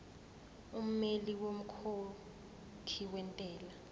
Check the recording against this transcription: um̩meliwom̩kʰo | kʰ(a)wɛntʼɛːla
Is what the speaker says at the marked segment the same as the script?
no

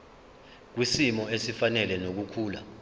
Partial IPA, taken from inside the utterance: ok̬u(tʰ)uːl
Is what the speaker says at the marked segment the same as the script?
no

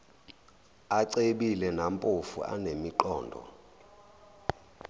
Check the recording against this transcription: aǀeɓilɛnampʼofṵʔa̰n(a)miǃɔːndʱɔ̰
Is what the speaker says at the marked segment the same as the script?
no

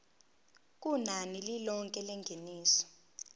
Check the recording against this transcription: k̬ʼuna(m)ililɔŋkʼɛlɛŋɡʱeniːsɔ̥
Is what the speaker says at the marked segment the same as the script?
no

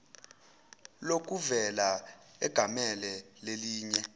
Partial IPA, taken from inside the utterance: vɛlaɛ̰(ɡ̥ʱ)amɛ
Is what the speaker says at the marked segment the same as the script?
yes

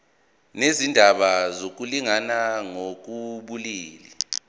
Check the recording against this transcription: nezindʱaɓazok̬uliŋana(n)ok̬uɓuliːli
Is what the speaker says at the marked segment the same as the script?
no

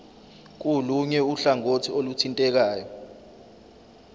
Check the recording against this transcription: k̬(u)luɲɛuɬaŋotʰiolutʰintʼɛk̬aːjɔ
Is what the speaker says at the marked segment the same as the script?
yes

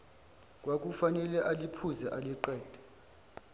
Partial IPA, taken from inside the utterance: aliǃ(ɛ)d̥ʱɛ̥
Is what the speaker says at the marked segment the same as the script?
no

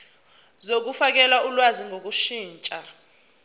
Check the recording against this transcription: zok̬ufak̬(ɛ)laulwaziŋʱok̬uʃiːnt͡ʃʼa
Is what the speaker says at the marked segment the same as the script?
yes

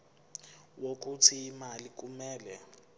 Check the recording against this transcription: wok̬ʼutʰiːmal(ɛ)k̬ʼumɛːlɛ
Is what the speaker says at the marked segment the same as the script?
no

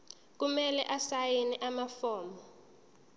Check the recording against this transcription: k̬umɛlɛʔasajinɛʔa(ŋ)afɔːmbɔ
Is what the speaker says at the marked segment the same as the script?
no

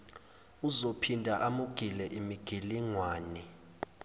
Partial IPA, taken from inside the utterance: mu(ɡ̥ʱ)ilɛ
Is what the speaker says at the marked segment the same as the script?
yes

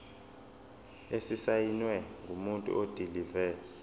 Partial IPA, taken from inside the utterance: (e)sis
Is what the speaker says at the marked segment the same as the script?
yes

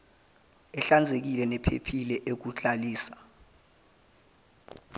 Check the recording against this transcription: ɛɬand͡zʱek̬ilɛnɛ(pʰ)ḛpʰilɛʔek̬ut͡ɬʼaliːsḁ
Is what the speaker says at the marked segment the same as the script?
yes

